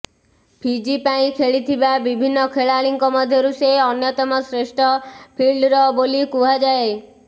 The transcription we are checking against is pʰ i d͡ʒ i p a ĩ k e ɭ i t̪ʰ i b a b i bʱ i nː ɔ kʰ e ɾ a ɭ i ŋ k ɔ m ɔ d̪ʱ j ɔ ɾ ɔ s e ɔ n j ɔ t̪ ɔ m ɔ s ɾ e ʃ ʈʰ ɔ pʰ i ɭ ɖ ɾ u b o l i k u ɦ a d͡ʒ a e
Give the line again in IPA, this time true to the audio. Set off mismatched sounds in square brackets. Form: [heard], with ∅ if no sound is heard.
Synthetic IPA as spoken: pʰ i d͡ʒ i p a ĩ [kʰ] e ɭ i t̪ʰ i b a b i bʱ i nː ɔ kʰ e [ɭ] a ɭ i ŋ k ɔ m ɔ d̪ʱ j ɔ ɾ [u] s e ɔ n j ɔ t̪ ɔ m ɔ s ɾ e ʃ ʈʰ ɔ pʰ i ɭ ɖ ɾ [ɔ] b o l i k u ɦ a d͡ʒ a e